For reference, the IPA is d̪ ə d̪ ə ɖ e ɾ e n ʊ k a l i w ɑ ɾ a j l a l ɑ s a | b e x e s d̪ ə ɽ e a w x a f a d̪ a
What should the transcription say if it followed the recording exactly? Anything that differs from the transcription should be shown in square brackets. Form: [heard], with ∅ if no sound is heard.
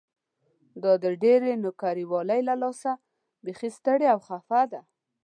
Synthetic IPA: d̪ [ɑ] d̪ ə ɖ e ɾ e n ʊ k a [ɾ] i w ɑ [l] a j l a l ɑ s a | b e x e s [t̪] ə ɽ e a w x a f a d̪ a